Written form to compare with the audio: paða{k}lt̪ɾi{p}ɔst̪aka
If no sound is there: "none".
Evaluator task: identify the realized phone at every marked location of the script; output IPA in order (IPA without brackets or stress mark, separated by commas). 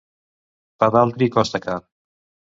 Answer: none, k